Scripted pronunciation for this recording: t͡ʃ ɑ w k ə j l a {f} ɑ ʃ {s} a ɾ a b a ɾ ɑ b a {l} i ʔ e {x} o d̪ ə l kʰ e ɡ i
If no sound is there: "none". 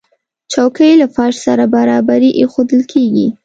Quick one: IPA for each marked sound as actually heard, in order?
f, s, ɾ, x

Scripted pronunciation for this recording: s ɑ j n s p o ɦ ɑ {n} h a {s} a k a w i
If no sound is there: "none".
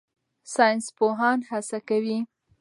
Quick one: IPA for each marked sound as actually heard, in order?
n, s

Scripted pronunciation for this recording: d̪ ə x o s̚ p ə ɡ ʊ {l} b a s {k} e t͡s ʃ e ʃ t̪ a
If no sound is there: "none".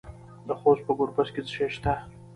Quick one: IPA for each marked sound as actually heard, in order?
ɾ, k

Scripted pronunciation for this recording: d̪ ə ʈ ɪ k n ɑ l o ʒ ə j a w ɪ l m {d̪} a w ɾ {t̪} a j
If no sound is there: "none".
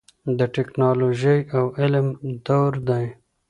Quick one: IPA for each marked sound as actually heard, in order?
d̪, d̪

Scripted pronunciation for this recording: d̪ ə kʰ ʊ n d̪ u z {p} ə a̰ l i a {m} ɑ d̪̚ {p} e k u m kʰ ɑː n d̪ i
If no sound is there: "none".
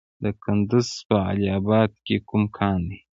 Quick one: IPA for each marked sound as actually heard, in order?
p, b, k

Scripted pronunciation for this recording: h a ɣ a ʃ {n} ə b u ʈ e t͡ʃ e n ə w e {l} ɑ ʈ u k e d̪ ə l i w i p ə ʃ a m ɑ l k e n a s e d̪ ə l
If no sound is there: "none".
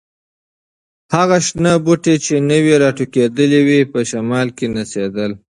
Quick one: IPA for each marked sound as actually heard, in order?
n, ɾ

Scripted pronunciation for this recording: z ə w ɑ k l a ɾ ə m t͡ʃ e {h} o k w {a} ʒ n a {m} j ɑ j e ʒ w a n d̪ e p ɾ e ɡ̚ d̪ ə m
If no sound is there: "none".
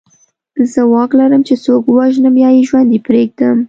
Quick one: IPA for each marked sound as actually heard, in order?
s, a, m

